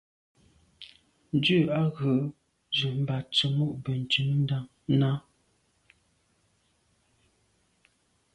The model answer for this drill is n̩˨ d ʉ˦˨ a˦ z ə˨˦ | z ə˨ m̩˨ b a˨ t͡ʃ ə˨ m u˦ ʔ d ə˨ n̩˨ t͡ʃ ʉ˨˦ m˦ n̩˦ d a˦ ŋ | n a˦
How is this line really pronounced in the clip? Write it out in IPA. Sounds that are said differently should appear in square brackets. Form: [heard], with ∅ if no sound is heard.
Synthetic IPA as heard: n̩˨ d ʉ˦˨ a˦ [ɣ] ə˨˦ | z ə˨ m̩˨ b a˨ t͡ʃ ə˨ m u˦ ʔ [b] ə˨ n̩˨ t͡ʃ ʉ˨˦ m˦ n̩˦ d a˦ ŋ | n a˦